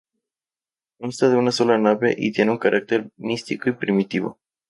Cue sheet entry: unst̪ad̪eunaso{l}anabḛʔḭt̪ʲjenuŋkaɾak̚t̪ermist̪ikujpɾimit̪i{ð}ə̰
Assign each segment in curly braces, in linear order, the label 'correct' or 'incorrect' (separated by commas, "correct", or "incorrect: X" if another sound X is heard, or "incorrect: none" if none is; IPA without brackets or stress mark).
correct, incorrect: v